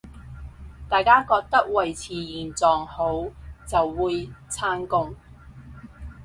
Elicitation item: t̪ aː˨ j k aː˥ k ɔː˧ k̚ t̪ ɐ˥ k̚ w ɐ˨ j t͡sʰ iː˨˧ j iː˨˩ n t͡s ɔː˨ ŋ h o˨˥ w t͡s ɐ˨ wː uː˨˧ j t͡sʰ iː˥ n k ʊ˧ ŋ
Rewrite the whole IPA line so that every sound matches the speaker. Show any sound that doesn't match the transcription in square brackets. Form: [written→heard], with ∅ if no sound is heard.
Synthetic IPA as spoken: t̪ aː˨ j k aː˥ k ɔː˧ k̚ t̪ ɐ˥ k̚ w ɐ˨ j t͡sʰ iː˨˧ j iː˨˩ n t͡s ɔː˨ ŋ h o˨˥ w t͡s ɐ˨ wː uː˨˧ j t͡sʰ [iː˥→aː˥] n k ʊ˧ ŋ